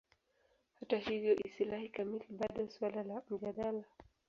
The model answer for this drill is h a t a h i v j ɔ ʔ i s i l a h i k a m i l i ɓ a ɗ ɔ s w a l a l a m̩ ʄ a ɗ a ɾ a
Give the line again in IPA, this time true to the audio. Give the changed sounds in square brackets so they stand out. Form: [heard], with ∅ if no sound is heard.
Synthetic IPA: h a t a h i v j ɔ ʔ i s i l a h i k a m i l i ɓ a ɗ ɔ s w a l a l a m̩ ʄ a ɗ a [l] a